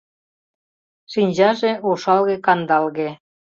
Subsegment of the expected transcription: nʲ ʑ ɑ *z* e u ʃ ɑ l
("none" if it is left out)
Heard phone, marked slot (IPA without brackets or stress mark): ʒ